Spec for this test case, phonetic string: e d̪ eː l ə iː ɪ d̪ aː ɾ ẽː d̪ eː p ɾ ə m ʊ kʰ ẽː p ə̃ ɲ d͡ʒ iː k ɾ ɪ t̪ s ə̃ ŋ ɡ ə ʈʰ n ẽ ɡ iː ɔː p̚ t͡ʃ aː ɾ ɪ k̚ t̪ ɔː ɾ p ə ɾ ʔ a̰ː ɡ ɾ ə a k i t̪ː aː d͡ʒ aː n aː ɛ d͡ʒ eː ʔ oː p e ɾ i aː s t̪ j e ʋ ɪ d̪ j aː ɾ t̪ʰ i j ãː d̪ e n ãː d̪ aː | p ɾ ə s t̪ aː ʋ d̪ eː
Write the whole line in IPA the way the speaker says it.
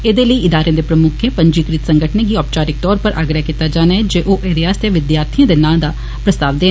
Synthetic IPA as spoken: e d̪ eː l ə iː ɪ d̪ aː ɾ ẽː d̪ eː p ɾ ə m ʊ kʰ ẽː p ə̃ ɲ d͡ʒ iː k ɾ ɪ t̪ s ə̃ ŋ ɡ ə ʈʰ n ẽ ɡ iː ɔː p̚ t͡ʃ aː ɾ ɪ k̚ t̪ ɔː ɾ p ə ɾ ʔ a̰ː ɡ ɾ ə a k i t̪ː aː d͡ʒ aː n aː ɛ d͡ʒ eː ʔ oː ʔ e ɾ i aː s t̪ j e ʋ ɪ d̪ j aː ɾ t̪ʰ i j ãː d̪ e n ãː d̪ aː | p ɾ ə s t̪ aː ʋ d̪ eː